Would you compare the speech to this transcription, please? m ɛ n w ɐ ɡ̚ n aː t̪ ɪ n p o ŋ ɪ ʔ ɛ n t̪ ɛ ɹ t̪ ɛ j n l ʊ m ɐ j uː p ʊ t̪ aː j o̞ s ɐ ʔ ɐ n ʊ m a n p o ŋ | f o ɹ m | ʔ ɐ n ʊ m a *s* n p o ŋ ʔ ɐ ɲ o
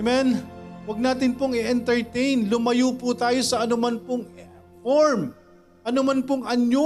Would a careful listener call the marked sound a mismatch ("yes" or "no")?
yes